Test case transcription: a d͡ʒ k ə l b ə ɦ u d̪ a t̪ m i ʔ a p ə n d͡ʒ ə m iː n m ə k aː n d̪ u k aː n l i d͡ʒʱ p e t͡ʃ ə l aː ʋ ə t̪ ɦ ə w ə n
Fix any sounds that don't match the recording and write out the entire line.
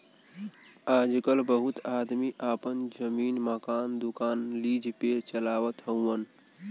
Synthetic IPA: a d͡ʒ k ə l b ə ɦ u t̪ a d̪ m i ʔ a p ə n d͡ʒ ə m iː n m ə k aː n d̪ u k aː n l i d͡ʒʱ p e t͡ʃ ə l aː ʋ ə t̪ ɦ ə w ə n